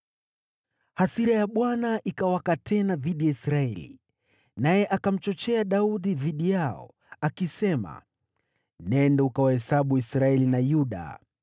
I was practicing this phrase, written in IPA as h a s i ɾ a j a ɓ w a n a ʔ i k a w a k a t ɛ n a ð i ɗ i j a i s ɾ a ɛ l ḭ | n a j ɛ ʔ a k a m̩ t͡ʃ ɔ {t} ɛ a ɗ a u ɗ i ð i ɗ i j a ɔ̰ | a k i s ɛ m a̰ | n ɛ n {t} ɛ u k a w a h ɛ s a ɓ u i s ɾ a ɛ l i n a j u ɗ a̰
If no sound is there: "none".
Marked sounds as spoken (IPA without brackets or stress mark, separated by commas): t͡ʃ, d